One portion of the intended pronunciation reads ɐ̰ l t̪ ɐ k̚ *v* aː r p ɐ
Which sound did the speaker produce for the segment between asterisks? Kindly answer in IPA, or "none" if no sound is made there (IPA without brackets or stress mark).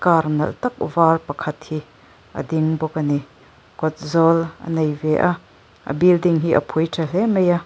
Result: v